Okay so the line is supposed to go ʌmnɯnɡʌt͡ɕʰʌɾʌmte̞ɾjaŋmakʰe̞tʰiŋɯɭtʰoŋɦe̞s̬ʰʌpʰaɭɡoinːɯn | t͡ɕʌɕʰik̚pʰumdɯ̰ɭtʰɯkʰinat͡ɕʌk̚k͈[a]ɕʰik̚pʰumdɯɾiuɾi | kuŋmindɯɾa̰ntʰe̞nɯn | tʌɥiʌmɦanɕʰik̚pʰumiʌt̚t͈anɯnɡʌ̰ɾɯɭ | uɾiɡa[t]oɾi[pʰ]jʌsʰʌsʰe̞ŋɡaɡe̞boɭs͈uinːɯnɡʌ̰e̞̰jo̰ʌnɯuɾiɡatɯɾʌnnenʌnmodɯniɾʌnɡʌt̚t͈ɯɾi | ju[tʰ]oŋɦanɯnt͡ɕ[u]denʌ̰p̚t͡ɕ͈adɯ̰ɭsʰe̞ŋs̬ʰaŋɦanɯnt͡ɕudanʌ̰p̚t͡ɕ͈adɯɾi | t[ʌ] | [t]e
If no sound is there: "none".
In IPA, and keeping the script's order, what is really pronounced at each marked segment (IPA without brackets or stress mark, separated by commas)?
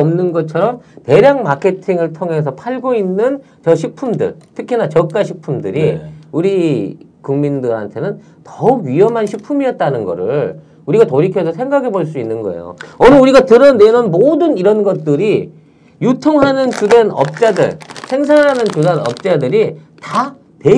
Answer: a, t, kʰ, tʰ, u, a, t